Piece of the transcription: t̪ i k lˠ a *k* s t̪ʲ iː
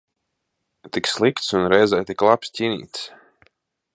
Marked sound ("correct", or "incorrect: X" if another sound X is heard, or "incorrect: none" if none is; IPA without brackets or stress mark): incorrect: p